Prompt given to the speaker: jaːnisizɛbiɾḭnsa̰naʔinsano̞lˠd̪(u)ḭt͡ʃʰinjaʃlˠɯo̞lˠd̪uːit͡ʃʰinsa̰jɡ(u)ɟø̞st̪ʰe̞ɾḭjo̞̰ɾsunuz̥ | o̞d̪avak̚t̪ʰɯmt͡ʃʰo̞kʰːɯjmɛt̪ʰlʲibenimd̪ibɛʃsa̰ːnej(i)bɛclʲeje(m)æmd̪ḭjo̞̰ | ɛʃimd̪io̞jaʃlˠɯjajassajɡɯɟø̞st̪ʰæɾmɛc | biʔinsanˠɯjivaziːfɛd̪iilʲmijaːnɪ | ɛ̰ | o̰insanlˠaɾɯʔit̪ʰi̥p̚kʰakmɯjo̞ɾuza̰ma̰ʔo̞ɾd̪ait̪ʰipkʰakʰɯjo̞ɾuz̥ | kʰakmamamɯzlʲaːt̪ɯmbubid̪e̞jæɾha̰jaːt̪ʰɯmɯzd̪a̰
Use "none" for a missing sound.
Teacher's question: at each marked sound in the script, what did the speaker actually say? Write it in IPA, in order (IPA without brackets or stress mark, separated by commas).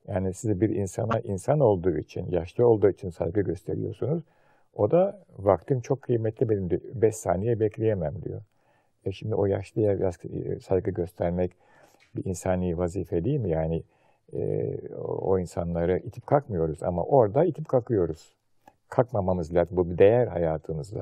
uː, ɯ, ɛ, m